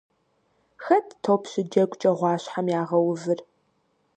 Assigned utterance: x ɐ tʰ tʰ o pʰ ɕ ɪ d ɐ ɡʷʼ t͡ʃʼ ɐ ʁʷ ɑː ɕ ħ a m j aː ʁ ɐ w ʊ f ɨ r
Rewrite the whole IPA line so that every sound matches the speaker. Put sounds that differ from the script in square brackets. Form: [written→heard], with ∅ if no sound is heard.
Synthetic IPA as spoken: x ɐ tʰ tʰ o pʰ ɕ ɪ [d→d͡ʒ] ɐ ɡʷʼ t͡ʃʼ ɐ ʁʷ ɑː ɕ ħ a m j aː ʁ ɐ w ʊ [f→v] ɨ r

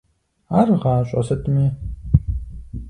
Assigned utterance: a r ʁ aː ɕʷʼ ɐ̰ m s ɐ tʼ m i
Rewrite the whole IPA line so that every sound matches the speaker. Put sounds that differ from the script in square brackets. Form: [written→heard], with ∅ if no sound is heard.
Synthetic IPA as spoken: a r ʁ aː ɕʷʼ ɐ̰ [m→∅] s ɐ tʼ m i

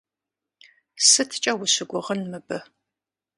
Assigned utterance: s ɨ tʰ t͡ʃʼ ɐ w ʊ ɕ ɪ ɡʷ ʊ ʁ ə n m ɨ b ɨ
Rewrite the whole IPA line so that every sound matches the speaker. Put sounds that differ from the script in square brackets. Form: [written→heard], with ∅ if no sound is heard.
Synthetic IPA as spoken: s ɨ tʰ t͡ʃʼ ɐ w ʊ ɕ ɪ ɡʷ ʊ ʁ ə n m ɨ b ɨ

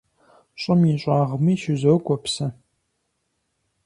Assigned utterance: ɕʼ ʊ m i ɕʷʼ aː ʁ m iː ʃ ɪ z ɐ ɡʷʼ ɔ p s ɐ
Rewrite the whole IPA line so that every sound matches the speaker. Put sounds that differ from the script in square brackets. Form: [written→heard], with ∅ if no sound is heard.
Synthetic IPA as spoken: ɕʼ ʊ m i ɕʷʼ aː ʁ m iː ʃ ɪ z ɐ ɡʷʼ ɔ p s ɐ

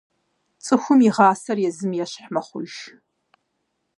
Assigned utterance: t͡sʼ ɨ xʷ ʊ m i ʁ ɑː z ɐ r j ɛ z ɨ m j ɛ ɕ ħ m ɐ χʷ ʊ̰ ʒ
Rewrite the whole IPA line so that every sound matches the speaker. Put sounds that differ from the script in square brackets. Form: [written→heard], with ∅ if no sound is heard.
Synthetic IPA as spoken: t͡sʼ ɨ xʷ ʊ m i ʁ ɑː [z→s] ɐ r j ɛ z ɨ m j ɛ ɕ ħ m ɐ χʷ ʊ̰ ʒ

